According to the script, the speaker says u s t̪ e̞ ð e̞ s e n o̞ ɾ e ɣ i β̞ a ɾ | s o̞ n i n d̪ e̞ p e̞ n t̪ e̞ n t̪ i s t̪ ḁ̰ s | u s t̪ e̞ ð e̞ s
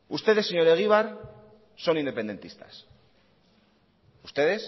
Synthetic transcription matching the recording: u s t̪ e̞ ð e̞ s e ɲ o̞ ɾ e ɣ i β̞ a ɾ | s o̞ n i n d̪ e̞ p e̞ n d̪ e̞ n t̪ i s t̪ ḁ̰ s | u s t̪ e̞ ð e̞ s